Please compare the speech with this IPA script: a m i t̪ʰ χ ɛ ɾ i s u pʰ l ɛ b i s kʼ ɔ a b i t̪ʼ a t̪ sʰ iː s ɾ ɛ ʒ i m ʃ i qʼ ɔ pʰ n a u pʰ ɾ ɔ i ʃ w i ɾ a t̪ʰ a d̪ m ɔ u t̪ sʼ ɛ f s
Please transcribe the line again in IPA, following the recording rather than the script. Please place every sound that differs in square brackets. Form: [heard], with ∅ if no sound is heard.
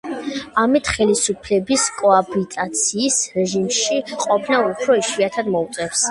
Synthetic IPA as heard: a m i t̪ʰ χ ɛ [l] i s u pʰ l ɛ b i s kʼ ɔ a b i t̪ʼ a t̪ sʰ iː s ɾ ɛ ʒ i m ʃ i qʼ ɔ pʰ n a u pʰ ɾ ɔ i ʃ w i [∅] a t̪ʰ a d̪ m ɔ u t̪ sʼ ɛ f s